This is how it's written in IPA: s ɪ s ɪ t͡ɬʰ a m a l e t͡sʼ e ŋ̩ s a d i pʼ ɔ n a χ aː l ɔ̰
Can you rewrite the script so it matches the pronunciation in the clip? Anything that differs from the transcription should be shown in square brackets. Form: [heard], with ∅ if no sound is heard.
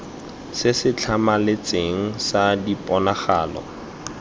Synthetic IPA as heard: s ɪ s ɪ t͡ɬʰ a m a l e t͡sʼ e ŋ̩ s a d i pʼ ɔ n a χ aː l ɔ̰

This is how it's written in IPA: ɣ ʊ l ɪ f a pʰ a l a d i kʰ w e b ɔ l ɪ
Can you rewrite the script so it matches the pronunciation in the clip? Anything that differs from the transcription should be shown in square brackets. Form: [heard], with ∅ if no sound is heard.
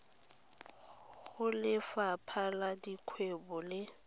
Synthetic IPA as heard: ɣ ʊ l ɪ f a pʰ a l a d i kʰ w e b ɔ l ɪ

